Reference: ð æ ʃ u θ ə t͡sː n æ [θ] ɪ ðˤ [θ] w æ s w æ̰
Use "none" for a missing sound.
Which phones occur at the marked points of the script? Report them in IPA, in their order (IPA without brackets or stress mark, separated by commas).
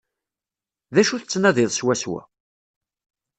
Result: ð, s